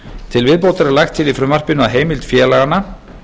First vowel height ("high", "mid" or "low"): high